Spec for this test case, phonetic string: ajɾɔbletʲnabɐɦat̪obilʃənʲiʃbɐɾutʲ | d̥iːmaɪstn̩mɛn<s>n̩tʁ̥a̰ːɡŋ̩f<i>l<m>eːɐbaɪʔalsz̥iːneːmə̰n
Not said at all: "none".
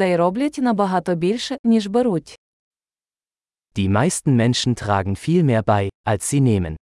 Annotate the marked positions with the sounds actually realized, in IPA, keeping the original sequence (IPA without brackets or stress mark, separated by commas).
ʃ, iː, m